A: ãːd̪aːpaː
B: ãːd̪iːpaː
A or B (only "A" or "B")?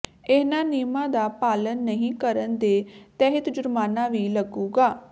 A